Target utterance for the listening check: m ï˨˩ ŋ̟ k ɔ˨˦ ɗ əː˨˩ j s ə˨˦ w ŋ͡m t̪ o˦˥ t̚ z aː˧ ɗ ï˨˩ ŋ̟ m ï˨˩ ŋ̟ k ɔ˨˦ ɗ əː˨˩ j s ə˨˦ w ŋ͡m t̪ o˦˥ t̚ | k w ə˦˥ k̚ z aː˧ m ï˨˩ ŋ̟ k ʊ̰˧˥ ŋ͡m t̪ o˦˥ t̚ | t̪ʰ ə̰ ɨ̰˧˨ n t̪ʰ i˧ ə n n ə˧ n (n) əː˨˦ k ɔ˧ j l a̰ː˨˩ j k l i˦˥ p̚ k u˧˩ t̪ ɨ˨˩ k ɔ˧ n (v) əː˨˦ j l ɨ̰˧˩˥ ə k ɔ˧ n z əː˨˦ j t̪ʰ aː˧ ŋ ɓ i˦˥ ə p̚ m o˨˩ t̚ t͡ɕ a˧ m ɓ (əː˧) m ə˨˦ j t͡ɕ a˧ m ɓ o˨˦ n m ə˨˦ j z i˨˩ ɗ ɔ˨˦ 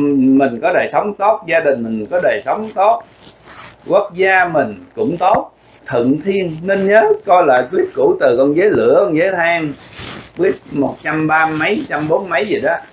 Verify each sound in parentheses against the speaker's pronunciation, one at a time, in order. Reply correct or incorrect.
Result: incorrect: ɲ, incorrect: z, incorrect: aː˧

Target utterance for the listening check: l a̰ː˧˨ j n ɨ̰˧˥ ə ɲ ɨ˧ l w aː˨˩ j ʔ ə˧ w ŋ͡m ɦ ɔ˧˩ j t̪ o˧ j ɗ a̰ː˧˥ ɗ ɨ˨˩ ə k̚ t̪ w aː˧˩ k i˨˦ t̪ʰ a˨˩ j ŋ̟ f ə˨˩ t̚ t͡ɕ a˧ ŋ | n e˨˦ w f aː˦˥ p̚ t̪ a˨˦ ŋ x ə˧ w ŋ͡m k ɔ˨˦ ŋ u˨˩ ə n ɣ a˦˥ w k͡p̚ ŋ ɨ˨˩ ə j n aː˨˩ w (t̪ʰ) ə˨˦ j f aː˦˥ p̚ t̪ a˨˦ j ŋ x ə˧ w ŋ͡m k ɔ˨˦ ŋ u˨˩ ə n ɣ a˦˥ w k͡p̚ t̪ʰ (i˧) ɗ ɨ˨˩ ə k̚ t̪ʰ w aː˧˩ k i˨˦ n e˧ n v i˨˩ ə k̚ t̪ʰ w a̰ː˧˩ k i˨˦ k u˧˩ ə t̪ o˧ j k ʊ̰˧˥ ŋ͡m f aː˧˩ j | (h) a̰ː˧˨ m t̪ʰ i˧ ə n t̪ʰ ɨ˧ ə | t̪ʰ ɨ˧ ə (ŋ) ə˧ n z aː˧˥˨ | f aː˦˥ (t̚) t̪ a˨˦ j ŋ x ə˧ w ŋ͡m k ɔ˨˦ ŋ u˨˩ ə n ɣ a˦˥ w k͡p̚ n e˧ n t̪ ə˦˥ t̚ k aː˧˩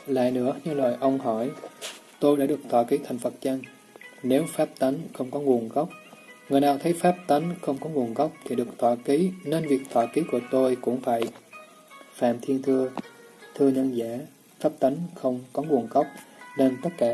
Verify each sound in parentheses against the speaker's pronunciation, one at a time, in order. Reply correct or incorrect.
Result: correct, incorrect: i˨˩, incorrect: f, incorrect: ɲ, incorrect: p̚

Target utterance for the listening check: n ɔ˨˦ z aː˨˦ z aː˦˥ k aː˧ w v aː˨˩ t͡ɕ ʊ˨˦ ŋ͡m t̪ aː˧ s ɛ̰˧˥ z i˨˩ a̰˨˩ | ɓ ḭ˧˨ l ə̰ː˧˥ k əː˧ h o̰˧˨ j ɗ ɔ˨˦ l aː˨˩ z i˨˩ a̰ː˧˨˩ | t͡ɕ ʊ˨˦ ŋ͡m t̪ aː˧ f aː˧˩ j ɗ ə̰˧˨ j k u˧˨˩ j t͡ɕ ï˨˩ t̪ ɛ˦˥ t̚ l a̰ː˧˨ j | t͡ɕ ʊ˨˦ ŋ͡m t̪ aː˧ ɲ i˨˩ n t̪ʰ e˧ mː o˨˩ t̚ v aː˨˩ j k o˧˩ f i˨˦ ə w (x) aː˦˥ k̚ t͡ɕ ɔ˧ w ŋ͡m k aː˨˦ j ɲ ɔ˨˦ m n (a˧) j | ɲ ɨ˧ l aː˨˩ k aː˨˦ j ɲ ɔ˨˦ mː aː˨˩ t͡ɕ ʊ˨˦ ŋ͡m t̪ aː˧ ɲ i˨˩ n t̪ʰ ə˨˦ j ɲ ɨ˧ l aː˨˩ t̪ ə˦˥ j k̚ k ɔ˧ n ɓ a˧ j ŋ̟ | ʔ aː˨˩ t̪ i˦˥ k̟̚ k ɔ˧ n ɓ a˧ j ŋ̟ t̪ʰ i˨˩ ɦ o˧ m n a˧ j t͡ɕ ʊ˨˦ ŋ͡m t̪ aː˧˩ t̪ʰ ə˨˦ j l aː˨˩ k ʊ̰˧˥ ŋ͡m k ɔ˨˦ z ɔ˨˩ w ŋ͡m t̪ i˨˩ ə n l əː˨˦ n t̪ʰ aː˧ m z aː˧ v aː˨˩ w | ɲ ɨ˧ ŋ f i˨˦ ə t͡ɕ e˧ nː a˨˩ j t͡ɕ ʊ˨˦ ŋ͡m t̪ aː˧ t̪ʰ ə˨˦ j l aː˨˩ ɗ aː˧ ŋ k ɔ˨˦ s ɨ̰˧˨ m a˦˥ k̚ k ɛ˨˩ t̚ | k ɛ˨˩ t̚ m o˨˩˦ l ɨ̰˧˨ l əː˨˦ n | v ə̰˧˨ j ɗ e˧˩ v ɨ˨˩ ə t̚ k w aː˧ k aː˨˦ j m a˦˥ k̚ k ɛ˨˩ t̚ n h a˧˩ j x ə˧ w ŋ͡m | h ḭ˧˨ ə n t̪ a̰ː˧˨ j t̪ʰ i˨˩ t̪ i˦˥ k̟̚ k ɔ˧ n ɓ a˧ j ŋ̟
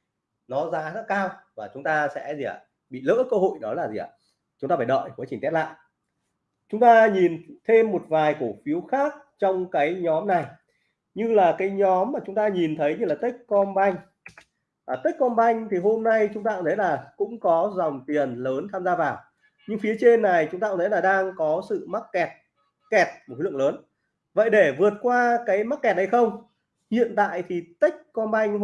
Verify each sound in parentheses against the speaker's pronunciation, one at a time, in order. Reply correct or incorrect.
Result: correct, incorrect: a˨˩

